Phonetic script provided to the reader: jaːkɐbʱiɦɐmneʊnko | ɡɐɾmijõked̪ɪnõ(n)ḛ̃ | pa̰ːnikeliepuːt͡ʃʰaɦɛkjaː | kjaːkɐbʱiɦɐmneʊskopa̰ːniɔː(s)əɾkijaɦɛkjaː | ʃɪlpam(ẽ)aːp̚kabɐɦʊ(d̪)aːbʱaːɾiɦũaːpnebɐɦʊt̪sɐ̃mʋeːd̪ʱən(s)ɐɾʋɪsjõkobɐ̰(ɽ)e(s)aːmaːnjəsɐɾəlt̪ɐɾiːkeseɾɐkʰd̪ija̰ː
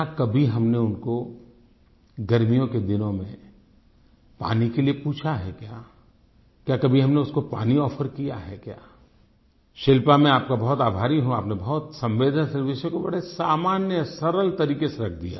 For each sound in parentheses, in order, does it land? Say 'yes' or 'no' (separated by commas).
no, no, yes, no, yes, yes, yes